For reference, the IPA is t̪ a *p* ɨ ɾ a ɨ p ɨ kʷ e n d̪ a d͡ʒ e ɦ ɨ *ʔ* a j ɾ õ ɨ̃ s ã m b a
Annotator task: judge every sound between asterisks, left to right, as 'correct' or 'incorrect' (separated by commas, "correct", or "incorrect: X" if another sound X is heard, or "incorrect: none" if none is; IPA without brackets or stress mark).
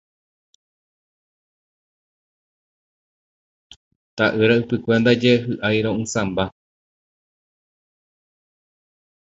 incorrect: ʔ, correct